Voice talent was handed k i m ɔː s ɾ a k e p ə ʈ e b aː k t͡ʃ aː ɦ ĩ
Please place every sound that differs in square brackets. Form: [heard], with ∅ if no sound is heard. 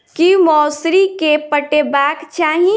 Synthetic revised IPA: k i m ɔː s ɾ [i] k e p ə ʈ e b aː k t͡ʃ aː ɦ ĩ